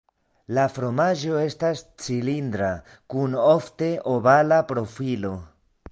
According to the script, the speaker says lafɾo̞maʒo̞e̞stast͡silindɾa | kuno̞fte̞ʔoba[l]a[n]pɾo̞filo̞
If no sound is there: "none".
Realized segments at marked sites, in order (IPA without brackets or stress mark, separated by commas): l, none